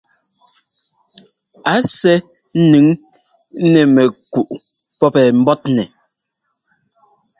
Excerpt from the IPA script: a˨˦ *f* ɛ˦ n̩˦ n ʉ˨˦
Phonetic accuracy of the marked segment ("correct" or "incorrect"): incorrect